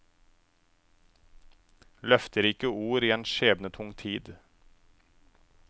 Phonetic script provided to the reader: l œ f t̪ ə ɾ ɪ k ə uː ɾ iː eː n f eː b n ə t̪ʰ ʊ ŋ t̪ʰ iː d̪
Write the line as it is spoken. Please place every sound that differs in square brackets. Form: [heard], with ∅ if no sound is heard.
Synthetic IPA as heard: l œ f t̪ ə ɾ ɪ k ə uː ɾ iː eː n [ʃ] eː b n ə t̪ʰ ʊ ŋ t̪ʰ iː d̪